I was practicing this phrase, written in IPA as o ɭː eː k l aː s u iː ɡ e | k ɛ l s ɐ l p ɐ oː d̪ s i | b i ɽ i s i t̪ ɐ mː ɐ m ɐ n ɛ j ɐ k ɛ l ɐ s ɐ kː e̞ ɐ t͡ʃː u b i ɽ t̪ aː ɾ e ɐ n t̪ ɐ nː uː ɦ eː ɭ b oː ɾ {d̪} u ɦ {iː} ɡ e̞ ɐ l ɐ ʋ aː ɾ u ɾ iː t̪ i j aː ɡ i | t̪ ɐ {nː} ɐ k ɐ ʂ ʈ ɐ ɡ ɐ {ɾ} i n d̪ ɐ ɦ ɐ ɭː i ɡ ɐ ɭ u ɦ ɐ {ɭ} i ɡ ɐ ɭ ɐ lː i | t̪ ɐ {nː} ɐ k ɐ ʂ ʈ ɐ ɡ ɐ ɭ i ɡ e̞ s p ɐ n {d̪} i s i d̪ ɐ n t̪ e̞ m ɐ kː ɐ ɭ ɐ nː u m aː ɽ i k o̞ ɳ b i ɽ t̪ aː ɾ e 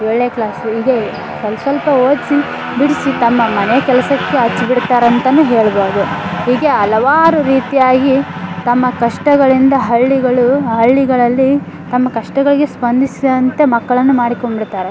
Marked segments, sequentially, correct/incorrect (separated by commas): correct, correct, incorrect, incorrect, incorrect, incorrect, correct